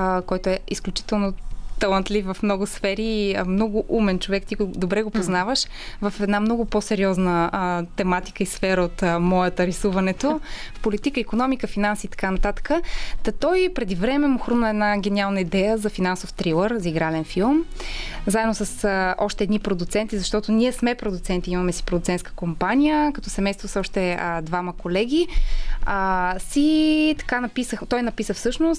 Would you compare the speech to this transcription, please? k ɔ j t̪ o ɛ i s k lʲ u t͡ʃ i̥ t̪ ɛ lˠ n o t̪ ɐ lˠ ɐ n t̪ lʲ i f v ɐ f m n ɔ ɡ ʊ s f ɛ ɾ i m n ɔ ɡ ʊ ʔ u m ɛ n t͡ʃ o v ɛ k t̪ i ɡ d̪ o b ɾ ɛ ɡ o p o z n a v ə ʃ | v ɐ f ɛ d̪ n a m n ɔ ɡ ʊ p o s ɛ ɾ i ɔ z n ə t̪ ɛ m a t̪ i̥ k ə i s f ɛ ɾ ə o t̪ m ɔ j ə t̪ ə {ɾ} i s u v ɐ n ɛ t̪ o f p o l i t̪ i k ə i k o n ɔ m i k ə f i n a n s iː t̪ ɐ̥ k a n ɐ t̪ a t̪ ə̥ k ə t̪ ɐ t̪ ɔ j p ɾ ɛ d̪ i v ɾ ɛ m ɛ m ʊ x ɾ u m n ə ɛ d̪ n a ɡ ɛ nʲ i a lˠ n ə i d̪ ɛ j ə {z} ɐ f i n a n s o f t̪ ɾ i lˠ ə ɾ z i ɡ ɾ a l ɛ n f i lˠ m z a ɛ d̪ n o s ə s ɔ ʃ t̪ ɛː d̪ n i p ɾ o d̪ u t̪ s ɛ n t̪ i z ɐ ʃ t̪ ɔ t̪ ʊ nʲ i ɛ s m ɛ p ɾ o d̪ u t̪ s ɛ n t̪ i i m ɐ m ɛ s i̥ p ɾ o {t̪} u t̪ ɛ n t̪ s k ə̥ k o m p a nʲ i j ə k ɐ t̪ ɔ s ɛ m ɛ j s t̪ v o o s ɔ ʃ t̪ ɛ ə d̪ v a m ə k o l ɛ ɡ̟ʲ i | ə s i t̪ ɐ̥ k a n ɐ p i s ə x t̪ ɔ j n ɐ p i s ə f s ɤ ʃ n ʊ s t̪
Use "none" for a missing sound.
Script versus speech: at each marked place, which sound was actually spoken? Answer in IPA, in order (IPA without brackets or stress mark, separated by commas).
ɾ, z, d̪